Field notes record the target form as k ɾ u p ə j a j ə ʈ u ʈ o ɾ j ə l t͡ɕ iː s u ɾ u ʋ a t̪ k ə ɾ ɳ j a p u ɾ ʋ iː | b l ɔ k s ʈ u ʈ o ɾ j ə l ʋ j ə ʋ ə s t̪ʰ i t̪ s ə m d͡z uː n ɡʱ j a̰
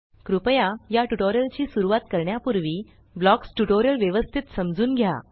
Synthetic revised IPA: k ɾ u p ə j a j a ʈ u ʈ o ɾ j ə l t͡ɕ iː s u ɾ u ʋ a t̪ k ə ɾ ɳ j a p u ɾ ʋ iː | b l ɔ k s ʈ u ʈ o ɾ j ə l ʋ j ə ʋ ə s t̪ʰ i t̪ s ə m d͡z uː n ɡʱ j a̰